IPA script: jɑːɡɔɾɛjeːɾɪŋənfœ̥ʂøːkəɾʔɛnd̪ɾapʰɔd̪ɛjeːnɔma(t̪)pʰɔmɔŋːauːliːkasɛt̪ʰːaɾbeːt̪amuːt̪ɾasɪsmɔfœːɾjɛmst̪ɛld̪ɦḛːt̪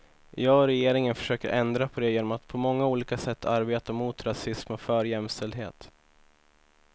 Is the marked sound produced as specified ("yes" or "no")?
yes